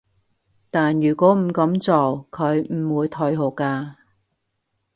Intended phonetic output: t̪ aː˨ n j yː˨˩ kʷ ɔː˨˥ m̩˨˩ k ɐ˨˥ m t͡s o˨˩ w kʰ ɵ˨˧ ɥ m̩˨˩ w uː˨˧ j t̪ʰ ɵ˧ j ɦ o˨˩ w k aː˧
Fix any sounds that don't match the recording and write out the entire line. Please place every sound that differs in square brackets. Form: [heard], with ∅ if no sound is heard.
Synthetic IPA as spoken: t̪ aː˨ n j yː˨˩ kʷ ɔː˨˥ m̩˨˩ k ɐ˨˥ m t͡s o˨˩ w kʰ ɵ˨˧ ɥ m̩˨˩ w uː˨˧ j t̪ʰ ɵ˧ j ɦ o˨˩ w k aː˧